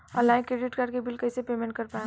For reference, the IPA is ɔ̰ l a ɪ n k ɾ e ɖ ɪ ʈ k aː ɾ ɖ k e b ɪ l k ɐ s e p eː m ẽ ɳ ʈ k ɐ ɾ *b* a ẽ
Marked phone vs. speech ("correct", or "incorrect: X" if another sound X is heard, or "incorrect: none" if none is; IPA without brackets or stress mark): incorrect: p